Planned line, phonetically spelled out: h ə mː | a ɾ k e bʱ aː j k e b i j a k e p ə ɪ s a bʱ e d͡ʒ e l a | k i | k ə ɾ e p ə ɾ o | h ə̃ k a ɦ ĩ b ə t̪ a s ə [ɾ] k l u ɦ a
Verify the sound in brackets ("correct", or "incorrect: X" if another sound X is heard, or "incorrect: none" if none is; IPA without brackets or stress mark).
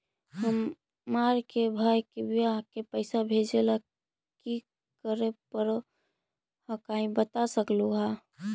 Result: incorrect: none